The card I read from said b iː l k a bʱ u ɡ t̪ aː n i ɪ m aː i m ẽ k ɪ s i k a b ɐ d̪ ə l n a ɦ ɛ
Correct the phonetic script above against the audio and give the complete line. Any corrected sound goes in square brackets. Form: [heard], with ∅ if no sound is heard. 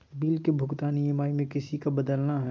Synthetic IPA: b iː l k [e] bʱ [ʊ] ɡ t̪ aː n i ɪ m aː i m ẽ k ɪ s i k a b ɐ d̪ ə l n a ɦ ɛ